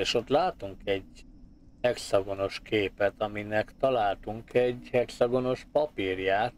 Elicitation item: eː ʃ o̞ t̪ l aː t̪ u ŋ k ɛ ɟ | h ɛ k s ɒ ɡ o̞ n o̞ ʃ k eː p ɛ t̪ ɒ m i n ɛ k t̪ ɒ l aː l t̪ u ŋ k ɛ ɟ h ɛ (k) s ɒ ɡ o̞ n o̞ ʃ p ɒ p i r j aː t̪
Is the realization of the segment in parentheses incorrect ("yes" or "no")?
no